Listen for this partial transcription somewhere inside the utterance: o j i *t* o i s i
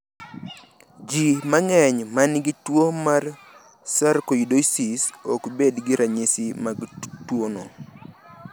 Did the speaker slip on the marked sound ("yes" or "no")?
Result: yes